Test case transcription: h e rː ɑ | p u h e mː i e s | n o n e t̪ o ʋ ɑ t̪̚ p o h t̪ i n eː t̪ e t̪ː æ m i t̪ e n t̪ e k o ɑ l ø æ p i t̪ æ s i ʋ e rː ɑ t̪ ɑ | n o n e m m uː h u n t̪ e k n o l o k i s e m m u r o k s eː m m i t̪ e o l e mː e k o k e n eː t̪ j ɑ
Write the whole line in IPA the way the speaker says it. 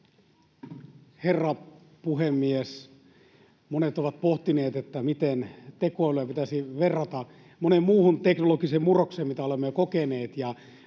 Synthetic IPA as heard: h e rː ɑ | p u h e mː i e s | m o n e t̪ o ʋ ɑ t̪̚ p o h t̪ i n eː t̪ e t̪ː æ m i t̪ e n t̪ e k o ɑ l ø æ p i t̪ æ s i ʋ e rː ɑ t̪ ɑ | m o n e m m uː h u n t̪ e k n o l o k i s e m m u r o k s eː m m i t̪ æ o l e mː e k o k e n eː t̪ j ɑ